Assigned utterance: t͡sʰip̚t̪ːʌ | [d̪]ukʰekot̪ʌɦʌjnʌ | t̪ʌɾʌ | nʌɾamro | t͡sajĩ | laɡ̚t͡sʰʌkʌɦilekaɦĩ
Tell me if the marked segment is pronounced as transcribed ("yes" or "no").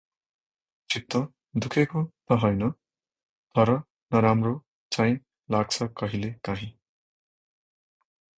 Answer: yes